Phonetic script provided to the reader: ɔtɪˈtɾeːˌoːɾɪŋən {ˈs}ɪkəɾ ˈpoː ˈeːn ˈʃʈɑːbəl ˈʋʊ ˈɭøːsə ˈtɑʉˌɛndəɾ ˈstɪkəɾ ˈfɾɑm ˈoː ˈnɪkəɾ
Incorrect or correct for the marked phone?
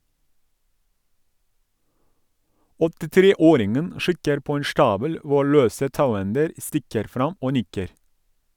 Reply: incorrect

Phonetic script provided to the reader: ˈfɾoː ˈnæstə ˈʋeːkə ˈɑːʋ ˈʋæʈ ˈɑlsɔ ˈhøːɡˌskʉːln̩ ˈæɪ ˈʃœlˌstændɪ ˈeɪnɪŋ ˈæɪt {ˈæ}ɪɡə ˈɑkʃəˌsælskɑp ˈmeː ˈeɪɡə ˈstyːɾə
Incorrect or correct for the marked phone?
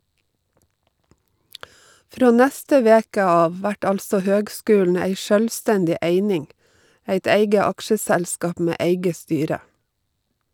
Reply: incorrect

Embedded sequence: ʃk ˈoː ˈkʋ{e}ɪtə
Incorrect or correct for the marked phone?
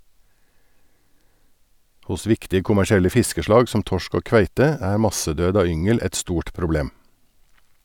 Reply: incorrect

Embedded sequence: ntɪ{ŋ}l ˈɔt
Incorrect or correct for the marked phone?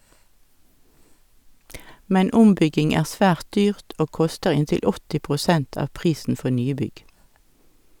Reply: incorrect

